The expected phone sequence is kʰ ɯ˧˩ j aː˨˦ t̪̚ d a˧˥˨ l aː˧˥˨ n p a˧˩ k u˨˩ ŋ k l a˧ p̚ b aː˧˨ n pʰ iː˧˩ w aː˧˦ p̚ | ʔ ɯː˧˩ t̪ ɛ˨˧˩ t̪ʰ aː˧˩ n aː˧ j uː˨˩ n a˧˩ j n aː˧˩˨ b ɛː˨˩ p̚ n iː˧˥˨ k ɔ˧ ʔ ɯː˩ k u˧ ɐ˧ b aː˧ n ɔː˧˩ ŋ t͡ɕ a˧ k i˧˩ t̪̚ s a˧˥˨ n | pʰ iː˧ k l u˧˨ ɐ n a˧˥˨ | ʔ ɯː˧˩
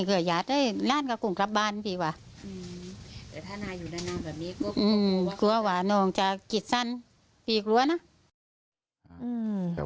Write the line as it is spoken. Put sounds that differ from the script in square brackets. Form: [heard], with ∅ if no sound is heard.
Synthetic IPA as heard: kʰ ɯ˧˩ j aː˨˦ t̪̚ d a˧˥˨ l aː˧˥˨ n [k] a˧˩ k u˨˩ ŋ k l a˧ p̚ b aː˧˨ n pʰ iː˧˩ w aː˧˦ [∅] | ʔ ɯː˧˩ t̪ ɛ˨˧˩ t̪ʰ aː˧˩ n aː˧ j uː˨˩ n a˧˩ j n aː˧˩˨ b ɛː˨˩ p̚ n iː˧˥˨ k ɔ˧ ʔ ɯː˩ k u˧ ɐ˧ [w] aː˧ n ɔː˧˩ ŋ t͡ɕ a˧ k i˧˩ t̪̚ s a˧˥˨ n | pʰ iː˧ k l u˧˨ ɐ n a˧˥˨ | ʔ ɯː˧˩